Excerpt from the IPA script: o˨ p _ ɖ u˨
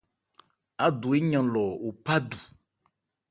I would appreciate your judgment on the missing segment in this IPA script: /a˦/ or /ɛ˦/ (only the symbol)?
a˦